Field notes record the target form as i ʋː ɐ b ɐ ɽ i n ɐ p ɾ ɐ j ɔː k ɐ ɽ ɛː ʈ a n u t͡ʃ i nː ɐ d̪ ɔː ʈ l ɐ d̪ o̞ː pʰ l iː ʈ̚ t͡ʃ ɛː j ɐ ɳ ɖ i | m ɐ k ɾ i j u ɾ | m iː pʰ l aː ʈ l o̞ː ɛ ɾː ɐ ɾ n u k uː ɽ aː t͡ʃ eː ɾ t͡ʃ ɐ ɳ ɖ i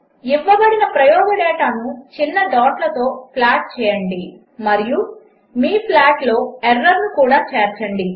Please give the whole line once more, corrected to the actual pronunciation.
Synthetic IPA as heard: i ʋː ɐ b ɐ ɽ i n ɐ p ɾ ɐ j ɔː ɡ ɐ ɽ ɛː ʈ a n u t͡ʃ i nː ɐ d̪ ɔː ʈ l ɐ t̪ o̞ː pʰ l aː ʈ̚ t͡ʃ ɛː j ɐ ɳ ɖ i | m ɐ ɾ i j u | m iː pʰ l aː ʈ l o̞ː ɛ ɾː ɐ ɾ n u k uː ɽ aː t͡ʃ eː ɾ t͡ʃ ɐ ɳ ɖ i